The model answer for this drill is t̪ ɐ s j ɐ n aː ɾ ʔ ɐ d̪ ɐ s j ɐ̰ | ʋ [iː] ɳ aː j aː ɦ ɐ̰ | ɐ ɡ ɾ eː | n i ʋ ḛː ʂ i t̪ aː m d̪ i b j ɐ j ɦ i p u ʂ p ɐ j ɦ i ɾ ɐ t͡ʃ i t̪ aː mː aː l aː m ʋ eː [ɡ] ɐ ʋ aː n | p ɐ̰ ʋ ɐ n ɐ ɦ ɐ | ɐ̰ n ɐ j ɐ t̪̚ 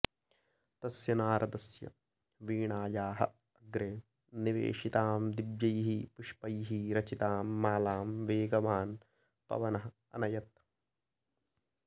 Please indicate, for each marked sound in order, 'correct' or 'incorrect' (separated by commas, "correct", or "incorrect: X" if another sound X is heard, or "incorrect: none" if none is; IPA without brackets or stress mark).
correct, correct